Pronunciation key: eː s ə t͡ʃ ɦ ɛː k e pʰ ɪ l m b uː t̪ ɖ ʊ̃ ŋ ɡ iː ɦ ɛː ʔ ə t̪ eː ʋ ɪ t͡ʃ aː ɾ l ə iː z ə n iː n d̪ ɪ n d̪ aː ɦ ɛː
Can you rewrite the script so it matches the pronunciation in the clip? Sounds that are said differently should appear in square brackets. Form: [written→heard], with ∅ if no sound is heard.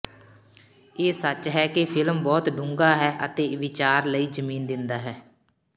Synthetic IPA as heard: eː s ə t͡ʃ ɦ ɛː k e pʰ ɪ l m b [uː→ɔː] t̪ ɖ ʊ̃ ŋ ɡ [iː→aː] ɦ ɛː ʔ ə t̪ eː ʋ ɪ t͡ʃ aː ɾ l ə iː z ə [n→m] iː n d̪ ɪ n d̪ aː ɦ ɛː